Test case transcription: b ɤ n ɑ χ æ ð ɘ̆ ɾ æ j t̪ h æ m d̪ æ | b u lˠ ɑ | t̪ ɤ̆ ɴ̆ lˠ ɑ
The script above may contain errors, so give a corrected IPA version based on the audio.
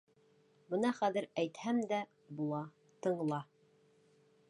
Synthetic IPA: b ɤ n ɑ χ æ ð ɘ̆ ɾ æ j t̪ h æ m d̪ æ | b u lˠ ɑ | t̪ ɤ̆ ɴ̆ lˠ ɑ